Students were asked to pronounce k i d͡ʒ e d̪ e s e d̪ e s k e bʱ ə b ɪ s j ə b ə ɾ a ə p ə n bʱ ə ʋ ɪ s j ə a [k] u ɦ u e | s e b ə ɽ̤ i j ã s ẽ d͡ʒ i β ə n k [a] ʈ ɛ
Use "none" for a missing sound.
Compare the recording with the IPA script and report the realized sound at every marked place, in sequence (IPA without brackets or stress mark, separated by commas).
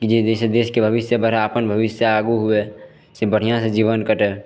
ɡ, ə